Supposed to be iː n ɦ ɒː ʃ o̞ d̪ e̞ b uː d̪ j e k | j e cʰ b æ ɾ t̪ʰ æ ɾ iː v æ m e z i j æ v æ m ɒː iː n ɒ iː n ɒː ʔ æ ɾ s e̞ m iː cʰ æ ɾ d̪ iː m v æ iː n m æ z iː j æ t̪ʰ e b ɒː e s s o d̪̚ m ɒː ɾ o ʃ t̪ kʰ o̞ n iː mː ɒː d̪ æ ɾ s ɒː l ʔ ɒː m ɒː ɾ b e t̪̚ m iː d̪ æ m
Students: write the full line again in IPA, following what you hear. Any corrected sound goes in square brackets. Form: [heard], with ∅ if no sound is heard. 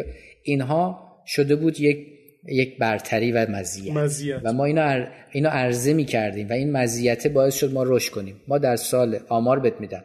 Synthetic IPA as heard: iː n ɦ ɒː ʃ o̞ d̪ e̞ b uː d̪ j e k | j e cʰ b æ ɾ t̪ʰ æ ɾ iː v æ m [æ] z i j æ v æ m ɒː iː n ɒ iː n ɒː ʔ æ ɾ [z] e̞ m iː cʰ æ ɾ d̪ iː m v æ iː n m æ z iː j æ t̪ʰ e b ɒː e s [ʃ] o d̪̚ m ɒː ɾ o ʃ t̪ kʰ o̞ n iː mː ɒː d̪ æ ɾ s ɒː l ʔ ɒː m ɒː ɾ b e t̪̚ m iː d̪ æ m